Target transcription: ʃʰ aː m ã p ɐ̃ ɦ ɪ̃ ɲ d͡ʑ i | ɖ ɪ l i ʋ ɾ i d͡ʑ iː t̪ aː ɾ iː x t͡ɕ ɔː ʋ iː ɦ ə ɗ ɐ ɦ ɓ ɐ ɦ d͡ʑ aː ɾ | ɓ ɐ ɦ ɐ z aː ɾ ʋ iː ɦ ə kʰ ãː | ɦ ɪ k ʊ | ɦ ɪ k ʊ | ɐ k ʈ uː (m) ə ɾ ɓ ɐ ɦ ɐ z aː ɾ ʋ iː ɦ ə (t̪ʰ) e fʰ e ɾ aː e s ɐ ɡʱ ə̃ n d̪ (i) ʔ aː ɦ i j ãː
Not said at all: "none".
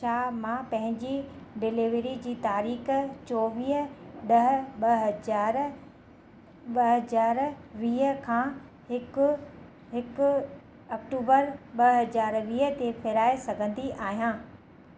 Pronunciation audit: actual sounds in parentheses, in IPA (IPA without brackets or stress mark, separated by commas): b, t̪, i